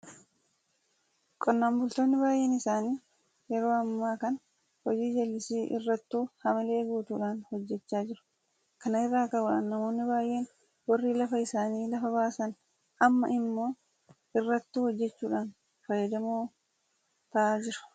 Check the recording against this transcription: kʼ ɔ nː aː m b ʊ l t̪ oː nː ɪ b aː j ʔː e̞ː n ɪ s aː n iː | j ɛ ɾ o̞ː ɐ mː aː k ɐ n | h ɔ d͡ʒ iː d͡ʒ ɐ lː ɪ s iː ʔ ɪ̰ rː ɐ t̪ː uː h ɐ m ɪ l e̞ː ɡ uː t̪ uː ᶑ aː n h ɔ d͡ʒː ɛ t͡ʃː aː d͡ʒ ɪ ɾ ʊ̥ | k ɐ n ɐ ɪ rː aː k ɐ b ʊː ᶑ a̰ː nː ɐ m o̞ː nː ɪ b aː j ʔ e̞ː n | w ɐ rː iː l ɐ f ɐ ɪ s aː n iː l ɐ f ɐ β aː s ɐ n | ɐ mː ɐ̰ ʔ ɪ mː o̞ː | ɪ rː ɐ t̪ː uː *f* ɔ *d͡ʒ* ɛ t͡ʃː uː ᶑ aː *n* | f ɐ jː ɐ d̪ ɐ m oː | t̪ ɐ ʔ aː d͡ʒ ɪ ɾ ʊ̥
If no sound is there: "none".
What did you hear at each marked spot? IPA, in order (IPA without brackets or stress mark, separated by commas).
h, d͡ʒː, n